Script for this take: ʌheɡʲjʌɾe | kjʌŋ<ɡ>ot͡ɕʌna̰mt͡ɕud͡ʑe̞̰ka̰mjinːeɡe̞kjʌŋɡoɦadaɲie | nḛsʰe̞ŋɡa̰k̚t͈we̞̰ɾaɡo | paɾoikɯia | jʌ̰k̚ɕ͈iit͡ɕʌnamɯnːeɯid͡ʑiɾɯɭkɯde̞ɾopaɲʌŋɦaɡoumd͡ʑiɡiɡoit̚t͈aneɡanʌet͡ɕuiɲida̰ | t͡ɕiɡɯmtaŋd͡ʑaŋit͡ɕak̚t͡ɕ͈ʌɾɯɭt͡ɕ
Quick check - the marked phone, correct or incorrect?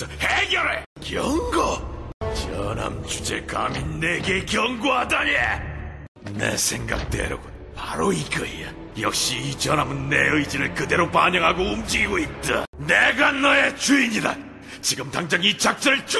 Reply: correct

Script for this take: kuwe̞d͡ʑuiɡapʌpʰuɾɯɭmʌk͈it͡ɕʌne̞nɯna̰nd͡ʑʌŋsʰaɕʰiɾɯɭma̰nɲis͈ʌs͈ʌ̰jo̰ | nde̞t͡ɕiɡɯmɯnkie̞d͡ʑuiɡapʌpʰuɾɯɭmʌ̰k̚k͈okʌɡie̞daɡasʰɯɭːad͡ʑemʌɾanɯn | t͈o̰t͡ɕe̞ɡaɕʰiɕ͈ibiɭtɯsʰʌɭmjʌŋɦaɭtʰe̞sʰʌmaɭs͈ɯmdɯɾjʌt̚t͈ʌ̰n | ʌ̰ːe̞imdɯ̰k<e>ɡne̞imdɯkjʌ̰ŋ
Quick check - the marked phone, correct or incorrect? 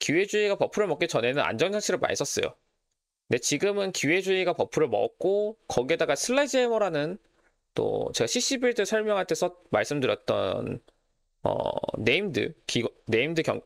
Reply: incorrect: i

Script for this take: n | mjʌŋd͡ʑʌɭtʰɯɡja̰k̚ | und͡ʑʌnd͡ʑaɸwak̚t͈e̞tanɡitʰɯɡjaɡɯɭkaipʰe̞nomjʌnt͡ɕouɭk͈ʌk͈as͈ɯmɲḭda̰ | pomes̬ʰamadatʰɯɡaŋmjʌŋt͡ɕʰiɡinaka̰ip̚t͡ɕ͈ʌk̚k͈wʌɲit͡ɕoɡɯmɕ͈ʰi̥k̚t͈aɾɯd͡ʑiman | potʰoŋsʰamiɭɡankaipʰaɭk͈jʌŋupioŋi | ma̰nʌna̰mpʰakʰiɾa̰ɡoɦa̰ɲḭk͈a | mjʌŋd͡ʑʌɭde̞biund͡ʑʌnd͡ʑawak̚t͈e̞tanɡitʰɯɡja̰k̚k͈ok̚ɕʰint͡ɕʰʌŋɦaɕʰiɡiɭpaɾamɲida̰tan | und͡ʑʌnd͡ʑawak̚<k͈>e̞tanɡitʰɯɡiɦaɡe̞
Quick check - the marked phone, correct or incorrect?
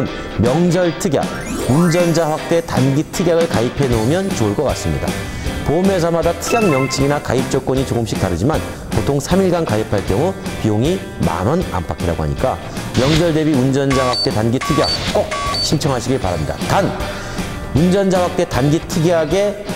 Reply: incorrect: t͈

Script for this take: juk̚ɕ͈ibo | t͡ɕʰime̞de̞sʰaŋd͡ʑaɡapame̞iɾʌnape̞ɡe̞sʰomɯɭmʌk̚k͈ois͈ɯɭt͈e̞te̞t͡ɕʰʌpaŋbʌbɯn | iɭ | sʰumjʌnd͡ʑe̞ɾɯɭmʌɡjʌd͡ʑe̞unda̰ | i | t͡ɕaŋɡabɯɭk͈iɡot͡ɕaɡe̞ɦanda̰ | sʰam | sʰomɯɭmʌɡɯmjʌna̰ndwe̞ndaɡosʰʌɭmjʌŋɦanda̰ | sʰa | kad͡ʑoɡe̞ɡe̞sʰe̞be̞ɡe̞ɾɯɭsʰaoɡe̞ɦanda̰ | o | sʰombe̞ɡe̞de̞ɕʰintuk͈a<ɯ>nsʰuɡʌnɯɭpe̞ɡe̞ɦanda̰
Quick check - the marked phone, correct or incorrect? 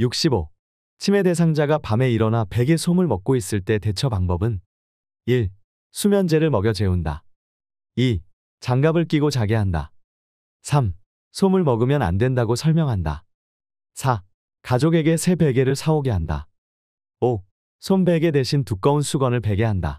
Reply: incorrect: u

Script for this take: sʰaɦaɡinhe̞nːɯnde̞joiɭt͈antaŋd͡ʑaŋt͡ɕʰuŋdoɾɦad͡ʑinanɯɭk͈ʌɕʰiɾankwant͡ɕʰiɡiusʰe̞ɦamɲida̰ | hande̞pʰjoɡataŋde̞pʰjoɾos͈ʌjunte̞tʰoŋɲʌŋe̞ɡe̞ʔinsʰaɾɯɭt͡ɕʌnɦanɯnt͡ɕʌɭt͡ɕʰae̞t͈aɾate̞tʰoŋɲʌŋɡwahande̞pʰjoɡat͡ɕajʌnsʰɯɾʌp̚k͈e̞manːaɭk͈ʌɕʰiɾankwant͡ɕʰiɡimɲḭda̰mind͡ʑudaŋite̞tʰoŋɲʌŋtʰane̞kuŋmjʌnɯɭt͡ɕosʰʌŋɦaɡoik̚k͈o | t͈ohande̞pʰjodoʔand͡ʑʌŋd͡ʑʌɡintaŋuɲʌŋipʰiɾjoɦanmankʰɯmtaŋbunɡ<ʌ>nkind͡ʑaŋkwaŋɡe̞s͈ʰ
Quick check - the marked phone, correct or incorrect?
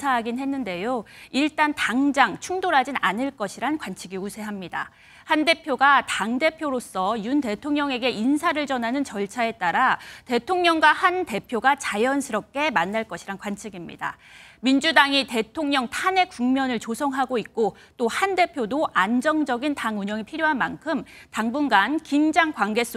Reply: incorrect: a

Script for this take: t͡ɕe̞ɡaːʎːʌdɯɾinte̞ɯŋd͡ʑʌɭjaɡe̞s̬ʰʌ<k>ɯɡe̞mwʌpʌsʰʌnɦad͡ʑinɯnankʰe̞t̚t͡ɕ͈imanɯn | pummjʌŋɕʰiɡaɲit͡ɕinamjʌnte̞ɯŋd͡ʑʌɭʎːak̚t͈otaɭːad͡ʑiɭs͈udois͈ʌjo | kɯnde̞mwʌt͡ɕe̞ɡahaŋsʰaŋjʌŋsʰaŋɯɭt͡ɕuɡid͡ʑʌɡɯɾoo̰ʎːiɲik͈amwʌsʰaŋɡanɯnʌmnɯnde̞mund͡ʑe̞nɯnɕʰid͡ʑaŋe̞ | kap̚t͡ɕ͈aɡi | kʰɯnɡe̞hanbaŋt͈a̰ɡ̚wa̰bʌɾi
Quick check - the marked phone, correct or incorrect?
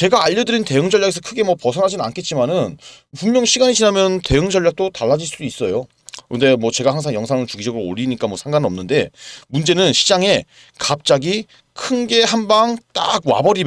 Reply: incorrect: kʰ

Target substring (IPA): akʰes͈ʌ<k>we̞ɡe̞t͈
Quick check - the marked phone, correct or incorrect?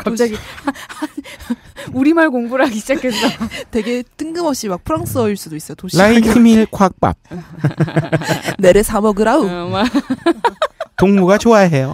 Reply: incorrect: t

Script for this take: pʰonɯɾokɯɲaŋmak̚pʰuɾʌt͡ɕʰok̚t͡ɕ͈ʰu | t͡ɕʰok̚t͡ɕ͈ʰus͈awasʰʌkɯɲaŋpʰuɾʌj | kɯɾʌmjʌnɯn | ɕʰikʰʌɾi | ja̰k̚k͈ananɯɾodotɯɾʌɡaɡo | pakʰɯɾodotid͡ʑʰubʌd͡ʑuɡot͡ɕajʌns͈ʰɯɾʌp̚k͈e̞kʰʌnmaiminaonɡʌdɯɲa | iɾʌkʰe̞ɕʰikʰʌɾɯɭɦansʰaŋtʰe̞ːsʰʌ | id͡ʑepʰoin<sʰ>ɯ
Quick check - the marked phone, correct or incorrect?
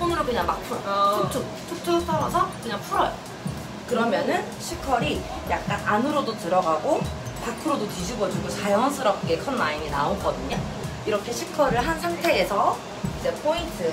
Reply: incorrect: tʰ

